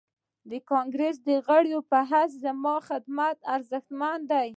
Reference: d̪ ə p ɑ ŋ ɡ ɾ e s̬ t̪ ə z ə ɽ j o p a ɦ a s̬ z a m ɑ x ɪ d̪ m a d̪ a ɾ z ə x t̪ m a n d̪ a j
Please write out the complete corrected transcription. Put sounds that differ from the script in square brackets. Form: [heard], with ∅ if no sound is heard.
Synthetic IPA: d̪ ə [k] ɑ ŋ ɡ ɾ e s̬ [d̪] ə [ɣ] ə ɽ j o p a ɦ a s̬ z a m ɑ x ɪ d̪ m a [t̪] a ɾ z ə x t̪ m a n d̪ a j